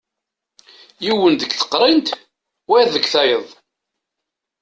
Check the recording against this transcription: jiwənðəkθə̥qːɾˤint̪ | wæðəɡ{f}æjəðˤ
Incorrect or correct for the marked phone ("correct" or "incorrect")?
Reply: incorrect